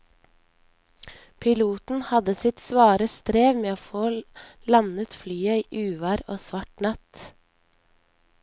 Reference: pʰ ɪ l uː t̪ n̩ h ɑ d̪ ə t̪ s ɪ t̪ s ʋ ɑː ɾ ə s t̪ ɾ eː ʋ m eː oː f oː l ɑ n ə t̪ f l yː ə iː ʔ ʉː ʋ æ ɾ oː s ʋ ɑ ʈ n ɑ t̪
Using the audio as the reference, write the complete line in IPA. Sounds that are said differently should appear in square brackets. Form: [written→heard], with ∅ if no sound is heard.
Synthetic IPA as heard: pʰ ɪ l uː t̪ n̩ h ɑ d̪ ə [t̪→∅] s ɪ t̪ s ʋ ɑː ɾ ə s t̪ ɾ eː ʋ m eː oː f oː l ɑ n ə t̪ f l yː ə iː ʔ ʉː ʋ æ ɾ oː s ʋ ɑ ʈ n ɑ t̪